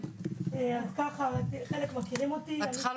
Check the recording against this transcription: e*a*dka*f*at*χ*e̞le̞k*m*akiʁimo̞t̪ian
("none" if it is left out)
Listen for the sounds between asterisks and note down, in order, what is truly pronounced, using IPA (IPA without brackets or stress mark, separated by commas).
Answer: a, χ, χ, m